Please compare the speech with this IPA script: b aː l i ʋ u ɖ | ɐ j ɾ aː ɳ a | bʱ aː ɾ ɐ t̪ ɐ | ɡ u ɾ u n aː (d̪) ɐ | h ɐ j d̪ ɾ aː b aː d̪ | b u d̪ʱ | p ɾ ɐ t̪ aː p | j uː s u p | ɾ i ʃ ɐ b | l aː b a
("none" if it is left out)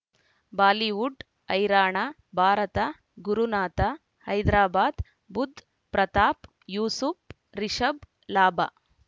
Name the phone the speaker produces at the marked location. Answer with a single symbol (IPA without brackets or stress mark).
t̪